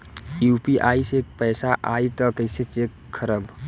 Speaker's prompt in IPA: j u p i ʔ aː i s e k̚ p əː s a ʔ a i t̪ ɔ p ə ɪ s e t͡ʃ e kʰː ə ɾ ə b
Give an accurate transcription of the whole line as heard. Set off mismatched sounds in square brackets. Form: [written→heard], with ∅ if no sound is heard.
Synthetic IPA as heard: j u p i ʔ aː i s e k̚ p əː s a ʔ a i t̪ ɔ [p→k] ə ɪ s e t͡ʃ e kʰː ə ɾ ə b